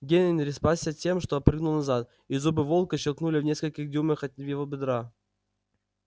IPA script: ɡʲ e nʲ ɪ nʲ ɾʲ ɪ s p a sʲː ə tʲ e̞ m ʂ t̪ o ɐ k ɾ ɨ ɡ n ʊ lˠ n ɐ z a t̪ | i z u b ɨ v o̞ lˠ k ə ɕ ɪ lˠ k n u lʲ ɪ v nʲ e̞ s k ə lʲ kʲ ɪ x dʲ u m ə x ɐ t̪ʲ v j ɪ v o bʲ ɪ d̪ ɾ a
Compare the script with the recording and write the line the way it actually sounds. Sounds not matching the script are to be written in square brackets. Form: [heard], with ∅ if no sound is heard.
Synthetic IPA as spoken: ɡʲ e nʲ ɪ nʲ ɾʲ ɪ s p a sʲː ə tʲ e̞ m ʂ t̪ o ɐ [p] ɾ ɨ ɡ n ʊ lˠ n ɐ z a t̪ | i z u b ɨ v o̞ lˠ k ə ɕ ɪ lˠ k n u lʲ ɪ v nʲ e̞ s k ə lʲ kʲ ɪ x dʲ u m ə x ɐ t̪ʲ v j ɪ v o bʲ ɪ d̪ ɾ a